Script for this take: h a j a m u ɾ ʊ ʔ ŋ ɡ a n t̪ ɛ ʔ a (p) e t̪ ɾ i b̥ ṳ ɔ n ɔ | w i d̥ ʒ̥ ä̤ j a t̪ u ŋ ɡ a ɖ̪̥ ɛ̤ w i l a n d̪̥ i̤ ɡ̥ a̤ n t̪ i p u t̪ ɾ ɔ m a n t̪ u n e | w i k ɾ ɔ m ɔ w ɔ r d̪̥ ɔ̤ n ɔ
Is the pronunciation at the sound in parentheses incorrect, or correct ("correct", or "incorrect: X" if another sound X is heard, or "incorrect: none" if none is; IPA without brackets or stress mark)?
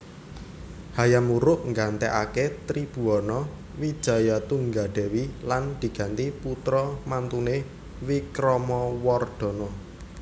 incorrect: k